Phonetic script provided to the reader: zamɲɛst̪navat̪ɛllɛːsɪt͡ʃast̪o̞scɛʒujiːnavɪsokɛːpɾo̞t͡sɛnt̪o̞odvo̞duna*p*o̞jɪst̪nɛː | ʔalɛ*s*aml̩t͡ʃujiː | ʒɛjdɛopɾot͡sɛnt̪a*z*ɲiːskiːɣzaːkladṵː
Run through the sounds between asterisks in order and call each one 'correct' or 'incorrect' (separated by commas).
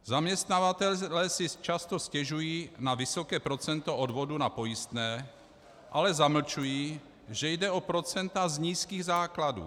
correct, incorrect, correct